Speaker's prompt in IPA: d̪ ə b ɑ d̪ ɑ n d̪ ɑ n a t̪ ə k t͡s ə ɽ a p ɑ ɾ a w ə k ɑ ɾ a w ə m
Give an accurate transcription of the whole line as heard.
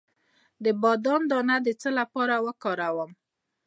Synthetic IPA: d̪ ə b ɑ d̪ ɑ n d̪ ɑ n a d̪ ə t͡s ə l a p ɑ ɾ a w ə k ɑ ɾ a w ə m